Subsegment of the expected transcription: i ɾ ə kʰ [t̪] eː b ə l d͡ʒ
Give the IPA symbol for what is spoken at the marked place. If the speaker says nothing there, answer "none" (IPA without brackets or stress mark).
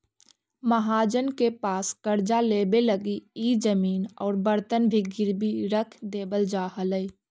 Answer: d̪